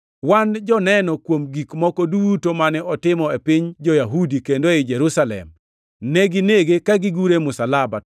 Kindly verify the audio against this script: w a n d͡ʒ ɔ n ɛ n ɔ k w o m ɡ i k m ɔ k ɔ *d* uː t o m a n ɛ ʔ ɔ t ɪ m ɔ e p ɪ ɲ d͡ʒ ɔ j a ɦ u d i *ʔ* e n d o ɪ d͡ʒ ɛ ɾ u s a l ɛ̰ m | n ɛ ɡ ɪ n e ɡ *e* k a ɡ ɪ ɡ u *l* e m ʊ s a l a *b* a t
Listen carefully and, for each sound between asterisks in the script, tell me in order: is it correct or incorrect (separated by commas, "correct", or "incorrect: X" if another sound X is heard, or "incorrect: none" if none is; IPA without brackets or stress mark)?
correct, incorrect: k, correct, incorrect: ɾ, correct